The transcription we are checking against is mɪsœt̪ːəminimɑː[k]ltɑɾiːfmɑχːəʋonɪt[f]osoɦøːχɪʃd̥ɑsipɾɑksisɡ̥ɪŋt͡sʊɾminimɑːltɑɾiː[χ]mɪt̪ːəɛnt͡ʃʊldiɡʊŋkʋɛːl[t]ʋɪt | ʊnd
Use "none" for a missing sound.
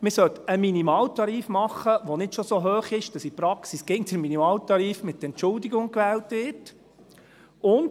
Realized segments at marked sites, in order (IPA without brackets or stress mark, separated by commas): none, ʃ, f, t